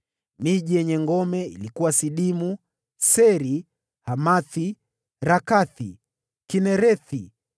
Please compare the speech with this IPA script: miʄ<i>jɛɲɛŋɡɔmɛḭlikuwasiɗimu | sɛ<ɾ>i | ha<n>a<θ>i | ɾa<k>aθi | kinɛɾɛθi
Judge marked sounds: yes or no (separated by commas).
yes, yes, no, yes, yes